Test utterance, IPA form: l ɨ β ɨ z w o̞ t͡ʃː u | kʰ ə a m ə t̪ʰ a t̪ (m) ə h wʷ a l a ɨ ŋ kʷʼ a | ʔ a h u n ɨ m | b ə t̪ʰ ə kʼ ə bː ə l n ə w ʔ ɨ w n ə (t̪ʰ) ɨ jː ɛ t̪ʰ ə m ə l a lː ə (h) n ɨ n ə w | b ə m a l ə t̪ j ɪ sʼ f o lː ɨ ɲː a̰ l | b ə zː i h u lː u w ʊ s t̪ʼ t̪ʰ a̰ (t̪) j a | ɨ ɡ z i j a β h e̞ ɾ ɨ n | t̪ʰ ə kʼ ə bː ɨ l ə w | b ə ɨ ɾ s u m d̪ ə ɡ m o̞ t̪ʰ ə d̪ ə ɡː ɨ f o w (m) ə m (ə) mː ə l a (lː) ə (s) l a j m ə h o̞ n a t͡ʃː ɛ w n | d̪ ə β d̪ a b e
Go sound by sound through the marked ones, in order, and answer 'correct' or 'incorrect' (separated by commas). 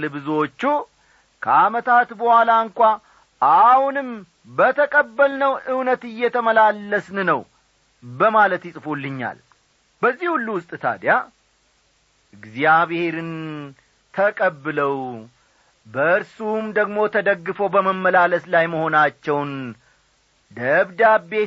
incorrect, incorrect, incorrect, incorrect, incorrect, correct, incorrect, correct